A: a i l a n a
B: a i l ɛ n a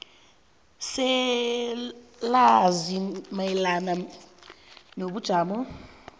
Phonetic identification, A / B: A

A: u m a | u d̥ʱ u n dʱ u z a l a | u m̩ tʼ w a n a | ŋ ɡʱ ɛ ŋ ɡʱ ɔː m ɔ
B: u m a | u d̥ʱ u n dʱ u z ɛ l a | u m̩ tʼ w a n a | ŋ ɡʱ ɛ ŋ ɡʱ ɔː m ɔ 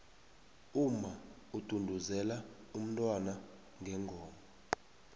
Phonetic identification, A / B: B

